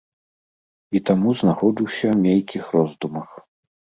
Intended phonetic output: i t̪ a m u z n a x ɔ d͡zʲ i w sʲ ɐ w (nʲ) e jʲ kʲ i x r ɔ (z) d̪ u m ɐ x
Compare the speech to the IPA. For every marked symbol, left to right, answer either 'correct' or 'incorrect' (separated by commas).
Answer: incorrect, correct